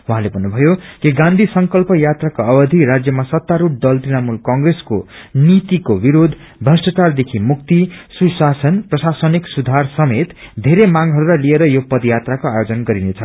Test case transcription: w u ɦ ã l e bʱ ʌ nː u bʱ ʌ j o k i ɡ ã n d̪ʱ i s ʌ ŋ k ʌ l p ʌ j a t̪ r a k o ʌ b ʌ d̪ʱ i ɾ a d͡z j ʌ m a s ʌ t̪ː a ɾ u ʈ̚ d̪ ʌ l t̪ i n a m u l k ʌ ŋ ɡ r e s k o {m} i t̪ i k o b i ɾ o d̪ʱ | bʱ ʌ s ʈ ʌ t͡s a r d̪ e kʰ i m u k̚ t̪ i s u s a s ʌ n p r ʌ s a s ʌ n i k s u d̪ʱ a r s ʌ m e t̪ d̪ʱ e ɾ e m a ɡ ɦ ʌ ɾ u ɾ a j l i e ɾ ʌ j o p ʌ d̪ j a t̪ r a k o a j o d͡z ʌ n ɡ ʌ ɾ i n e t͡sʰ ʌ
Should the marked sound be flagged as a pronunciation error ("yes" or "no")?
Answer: yes